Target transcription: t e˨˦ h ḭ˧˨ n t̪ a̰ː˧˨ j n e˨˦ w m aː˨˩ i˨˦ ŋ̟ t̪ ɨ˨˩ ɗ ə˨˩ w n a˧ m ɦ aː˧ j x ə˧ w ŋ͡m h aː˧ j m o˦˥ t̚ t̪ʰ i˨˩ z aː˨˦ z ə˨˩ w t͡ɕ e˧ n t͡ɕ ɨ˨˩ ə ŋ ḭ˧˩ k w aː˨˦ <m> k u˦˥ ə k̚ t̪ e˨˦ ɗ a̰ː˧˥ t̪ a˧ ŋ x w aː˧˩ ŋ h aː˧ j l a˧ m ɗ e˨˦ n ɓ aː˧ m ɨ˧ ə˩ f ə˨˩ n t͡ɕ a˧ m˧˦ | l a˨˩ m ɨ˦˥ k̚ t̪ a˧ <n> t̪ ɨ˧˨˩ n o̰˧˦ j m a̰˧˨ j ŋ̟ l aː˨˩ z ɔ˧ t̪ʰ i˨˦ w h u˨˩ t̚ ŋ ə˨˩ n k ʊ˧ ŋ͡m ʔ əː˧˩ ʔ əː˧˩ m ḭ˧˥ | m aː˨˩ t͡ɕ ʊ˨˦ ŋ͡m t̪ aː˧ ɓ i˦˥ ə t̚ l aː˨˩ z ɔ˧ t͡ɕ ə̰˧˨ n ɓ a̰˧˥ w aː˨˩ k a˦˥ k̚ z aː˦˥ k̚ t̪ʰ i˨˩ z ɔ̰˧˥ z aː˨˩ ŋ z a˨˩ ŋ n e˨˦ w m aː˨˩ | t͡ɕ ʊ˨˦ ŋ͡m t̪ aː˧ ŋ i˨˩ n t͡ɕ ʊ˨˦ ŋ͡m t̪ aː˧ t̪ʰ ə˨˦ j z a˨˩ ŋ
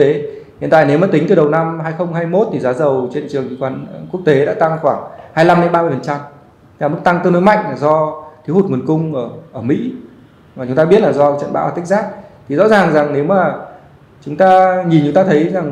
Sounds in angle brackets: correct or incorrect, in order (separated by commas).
incorrect, incorrect